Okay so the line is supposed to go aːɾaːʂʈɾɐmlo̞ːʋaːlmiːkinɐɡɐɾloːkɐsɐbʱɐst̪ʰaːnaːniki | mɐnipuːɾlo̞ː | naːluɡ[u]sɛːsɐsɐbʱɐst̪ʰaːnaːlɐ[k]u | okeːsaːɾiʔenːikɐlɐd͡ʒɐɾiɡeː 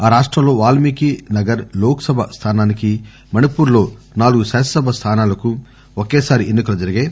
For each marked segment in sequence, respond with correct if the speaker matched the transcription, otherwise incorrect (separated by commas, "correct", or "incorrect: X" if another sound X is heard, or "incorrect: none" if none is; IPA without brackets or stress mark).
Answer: correct, correct